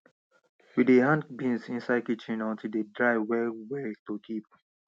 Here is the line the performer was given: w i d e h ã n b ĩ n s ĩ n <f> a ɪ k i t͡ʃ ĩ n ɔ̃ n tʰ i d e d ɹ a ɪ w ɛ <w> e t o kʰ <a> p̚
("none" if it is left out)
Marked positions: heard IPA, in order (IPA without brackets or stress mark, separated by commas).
s, w, i